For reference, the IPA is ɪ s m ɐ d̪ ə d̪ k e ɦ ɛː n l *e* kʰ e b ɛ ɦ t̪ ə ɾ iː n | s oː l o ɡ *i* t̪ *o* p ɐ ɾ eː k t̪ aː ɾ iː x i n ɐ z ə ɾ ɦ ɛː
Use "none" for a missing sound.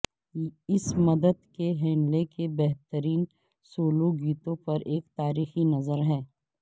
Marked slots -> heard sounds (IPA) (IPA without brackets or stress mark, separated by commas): e, iː, õ